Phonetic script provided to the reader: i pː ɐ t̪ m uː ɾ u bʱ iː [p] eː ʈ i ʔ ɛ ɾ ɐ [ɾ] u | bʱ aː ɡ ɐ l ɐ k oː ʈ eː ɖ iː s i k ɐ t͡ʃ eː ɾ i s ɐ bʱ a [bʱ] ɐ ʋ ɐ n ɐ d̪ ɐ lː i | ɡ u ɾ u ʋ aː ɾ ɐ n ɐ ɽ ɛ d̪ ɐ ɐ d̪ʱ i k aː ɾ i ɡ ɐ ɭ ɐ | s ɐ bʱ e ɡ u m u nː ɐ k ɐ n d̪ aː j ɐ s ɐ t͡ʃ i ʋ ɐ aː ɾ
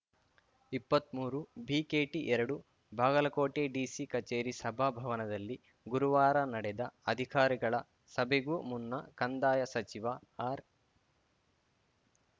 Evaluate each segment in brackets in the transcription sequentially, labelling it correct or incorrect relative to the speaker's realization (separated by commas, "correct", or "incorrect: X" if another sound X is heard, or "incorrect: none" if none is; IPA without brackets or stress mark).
incorrect: k, incorrect: ɽ, correct